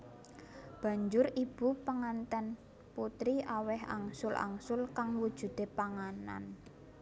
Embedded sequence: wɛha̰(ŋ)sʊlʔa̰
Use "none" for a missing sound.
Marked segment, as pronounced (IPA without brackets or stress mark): ŋ